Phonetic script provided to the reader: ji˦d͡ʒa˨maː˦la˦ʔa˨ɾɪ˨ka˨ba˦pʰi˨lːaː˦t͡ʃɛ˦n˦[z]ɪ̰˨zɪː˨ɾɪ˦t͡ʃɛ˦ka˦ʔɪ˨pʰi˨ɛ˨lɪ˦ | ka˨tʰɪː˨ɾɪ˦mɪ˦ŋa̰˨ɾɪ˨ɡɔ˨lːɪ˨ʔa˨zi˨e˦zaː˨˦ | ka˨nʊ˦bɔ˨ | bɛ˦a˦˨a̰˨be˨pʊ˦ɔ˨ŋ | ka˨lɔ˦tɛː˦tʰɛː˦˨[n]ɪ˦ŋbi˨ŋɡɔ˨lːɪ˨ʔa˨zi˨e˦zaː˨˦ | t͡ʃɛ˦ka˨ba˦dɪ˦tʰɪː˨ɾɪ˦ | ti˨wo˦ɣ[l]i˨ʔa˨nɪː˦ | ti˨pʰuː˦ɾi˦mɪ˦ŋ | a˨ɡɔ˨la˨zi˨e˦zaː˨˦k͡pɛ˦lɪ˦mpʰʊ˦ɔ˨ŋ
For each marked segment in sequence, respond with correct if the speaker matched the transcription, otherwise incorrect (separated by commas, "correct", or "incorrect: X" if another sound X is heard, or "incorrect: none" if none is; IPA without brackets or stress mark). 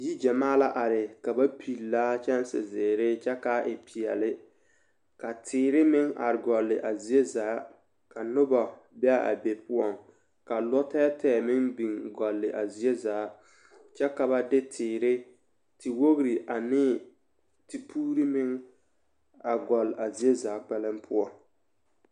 incorrect: s, incorrect: m, incorrect: ɾ